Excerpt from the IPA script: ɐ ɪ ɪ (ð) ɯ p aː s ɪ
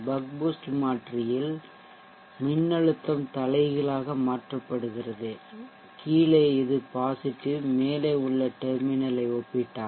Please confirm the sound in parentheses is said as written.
yes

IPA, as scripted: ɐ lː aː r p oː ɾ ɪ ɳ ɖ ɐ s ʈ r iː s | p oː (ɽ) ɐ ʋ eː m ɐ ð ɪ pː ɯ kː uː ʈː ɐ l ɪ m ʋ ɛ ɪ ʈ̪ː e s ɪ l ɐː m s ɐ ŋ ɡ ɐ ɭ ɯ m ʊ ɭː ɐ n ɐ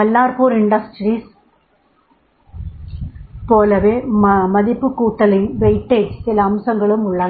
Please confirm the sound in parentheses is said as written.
no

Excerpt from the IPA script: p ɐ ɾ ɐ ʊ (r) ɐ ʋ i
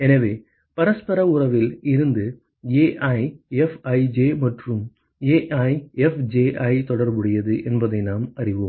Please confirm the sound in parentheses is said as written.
yes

